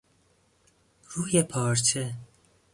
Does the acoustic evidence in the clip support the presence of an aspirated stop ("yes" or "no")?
yes